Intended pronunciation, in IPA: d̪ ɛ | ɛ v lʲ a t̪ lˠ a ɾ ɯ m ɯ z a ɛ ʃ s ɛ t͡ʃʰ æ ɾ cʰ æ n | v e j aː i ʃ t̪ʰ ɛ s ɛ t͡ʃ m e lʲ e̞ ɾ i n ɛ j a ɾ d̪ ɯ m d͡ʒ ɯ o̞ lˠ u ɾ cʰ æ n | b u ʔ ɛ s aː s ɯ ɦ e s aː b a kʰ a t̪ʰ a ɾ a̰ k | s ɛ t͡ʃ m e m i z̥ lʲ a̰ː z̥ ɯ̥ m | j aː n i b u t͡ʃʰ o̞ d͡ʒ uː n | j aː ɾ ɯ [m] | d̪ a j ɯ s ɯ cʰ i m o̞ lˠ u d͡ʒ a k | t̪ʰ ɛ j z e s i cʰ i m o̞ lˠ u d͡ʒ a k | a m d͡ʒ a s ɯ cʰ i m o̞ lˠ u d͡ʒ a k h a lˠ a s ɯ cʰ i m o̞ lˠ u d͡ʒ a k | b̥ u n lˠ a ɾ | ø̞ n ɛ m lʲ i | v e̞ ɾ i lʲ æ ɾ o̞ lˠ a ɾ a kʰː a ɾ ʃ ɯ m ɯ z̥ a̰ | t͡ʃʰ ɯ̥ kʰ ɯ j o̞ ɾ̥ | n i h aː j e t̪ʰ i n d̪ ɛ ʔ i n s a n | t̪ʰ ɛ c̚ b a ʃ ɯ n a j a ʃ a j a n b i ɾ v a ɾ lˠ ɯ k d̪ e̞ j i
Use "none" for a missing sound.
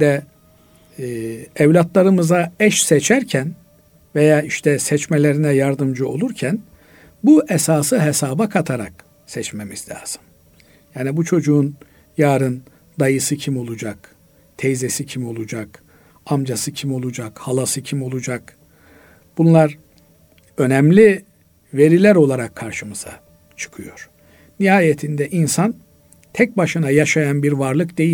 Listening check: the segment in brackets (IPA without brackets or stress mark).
n